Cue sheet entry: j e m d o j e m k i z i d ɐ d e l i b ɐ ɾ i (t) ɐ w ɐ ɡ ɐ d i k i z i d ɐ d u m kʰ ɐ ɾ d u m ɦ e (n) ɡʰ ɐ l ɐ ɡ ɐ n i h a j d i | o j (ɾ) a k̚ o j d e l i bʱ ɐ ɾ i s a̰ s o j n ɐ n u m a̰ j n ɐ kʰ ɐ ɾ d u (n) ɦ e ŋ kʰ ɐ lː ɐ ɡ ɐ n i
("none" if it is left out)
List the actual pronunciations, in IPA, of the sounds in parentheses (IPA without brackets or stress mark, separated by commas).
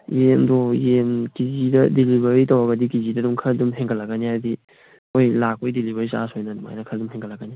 t, ŋ, l, m